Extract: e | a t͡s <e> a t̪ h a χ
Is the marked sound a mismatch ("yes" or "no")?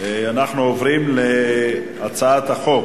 yes